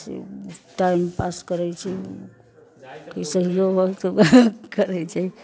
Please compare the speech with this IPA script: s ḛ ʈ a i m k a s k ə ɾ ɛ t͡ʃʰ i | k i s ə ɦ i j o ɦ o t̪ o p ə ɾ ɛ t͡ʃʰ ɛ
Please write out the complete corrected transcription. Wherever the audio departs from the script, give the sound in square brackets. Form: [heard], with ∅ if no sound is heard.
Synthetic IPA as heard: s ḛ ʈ a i m [p] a s k ə ɾ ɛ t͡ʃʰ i | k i s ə ɦ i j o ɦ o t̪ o [k] ə ɾ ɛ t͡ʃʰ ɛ